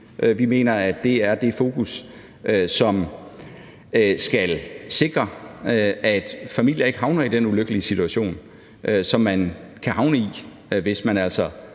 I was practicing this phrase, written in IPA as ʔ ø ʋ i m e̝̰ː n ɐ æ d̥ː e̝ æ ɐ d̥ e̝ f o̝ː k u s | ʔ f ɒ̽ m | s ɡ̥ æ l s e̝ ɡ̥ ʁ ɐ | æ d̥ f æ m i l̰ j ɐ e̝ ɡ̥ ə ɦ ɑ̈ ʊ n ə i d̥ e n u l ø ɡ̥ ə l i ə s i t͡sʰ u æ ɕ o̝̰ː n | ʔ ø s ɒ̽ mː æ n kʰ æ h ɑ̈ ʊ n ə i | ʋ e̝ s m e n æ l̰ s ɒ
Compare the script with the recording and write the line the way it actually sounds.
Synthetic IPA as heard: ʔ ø ʋ i m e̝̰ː n ɐ æ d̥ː e̝ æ ɐ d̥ e̝ f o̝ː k u s | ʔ s ɒ̽ m | s ɡ̥ æ l s e̝ ɡ̥ ʁ ɐ | æ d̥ f æ m i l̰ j ɐ e̝ ɡ̥ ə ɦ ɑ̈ ʊ n ɐ i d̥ e n u l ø ɡ̥ ə l i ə s i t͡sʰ u æ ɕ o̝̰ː n | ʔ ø s ɒ̽ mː æ n kʰ æ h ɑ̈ ʊ n ə i | ʋ e̝ s m æ n æ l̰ s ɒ

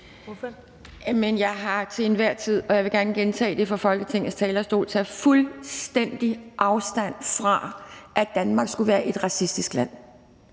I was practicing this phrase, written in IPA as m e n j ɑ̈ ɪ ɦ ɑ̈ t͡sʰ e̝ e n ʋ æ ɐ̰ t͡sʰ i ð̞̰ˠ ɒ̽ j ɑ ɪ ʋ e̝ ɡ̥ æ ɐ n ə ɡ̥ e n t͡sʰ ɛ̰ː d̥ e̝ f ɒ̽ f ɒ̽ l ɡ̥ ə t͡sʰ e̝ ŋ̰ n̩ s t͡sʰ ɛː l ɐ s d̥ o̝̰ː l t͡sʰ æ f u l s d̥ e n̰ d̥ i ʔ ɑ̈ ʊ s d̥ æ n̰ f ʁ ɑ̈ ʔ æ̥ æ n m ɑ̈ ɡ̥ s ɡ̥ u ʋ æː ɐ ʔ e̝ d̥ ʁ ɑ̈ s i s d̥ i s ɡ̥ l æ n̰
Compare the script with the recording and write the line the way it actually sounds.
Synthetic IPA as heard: m e n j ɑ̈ ɪ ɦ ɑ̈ t͡sʰ e̝ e n ʋ æ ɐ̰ t͡sʰ i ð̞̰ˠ ɒ̽ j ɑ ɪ ʋ e̝ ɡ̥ æ ɐ n ə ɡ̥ e n t͡sʰ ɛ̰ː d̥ e̝ f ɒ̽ f ɒ̽ l ɡ̥ ə t͡sʰ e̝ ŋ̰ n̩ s t͡sʰ ɛː l ɐ s d̥ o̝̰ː l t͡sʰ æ f u l s d̥ e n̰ d̥ i ʔ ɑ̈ ʊ s d̥ æ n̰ f ʁ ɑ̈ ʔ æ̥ æ n m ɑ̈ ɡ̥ s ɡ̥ u ʋ æː ɐ ʔ e̝ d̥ ʁ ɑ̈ s i s d̥ i s ɡ̥ l æ n̰

